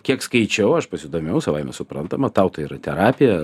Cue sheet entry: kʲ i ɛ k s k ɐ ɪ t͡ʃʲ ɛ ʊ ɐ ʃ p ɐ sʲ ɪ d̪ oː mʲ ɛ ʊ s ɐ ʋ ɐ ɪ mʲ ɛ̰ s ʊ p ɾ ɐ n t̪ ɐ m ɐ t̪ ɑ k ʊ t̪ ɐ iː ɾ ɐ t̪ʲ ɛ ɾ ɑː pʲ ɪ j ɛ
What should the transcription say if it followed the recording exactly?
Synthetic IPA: kʲ i ɛ k s k ɐ ɪ t͡ʃʲ ɛ ʊ ɐ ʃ p ɐ sʲ ɪ d̪ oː mʲ ɛ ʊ s ɐ ʋ ɐ ɪ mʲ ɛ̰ s ʊ p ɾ ɐ n t̪ ɐ m ɐ t̪ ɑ ʊ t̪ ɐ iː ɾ ɐ t̪ʲ ɛ ɾ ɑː pʲ ɪ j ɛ